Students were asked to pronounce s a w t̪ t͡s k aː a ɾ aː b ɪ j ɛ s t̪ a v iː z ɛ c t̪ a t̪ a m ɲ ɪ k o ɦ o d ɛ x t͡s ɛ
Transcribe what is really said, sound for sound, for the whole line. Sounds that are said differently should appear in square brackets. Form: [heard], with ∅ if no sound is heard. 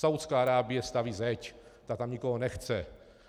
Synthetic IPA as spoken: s a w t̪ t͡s k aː a ɾ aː b ɪ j ɛ s t̪ a v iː z ɛ c t̪ a t̪ a m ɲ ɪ k o ɦ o [n] ɛ x t͡s ɛ